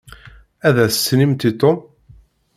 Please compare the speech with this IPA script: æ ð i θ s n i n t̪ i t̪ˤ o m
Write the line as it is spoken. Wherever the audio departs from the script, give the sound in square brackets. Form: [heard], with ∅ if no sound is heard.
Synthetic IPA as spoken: æ ð [æ] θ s n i [m] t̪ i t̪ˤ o m